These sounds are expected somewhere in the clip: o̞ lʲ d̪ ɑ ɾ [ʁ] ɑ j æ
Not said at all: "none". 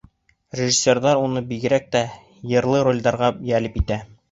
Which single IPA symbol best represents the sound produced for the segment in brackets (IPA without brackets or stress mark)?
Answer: ʁ